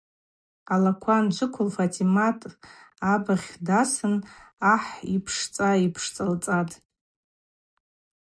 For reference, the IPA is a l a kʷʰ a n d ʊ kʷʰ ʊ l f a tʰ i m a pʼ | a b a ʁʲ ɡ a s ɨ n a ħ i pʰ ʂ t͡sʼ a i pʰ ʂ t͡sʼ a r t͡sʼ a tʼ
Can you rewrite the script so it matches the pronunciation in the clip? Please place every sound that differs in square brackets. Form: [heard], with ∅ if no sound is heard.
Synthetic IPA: a l a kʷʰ a n [d͡ʒʷ] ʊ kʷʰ ʊ l f a tʰ i m a [tʼ] | a b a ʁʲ [d] a s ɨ n a ħ i pʰ ʂ t͡sʼ a i pʰ ʂ t͡sʼ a [l] t͡sʼ a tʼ